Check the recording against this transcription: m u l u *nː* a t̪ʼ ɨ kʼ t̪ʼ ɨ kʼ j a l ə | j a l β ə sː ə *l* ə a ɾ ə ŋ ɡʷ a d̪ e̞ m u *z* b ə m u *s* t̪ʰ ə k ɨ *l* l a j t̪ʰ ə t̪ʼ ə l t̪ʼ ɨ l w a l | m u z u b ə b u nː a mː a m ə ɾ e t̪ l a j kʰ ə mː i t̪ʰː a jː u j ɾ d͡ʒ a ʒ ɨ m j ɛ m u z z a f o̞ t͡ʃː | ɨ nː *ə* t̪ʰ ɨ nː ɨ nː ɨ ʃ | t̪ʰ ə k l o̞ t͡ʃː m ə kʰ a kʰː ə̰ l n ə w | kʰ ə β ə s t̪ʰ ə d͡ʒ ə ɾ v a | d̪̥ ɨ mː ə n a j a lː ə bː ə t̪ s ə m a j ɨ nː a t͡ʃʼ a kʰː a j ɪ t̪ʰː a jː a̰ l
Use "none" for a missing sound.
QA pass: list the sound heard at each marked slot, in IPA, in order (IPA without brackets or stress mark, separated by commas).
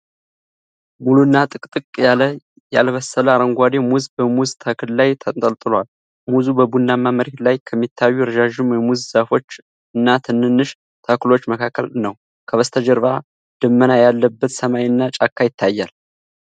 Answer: nː, l, z, z, l, a